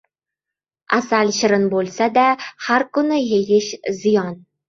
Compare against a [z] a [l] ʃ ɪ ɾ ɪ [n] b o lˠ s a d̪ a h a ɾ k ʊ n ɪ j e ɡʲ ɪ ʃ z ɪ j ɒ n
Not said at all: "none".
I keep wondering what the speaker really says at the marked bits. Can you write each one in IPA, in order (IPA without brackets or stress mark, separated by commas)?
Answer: s, l, n